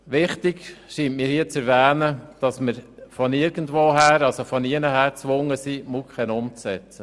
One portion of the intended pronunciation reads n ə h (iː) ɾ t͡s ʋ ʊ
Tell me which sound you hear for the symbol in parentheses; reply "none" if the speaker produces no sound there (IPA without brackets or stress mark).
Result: æː